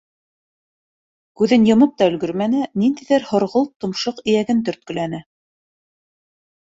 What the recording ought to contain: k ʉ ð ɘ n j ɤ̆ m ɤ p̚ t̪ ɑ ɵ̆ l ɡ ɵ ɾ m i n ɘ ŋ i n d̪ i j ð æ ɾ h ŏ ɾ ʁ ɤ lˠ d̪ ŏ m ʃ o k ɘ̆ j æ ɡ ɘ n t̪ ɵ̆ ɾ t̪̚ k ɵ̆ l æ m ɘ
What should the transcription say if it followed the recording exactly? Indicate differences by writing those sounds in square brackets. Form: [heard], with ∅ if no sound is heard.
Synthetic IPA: k ʉ ð ɘ n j ɤ̆ m ɤ p̚ t̪ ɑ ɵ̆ l ɡ ɵ ɾ m [æ] n ɘ [n] i n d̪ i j ð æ ɾ h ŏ ɾ ʁ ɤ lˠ [t̪] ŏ m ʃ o [q] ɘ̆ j æ ɡ ɘ n t̪ ɵ̆ ɾ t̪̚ k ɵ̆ l æ [n] ɘ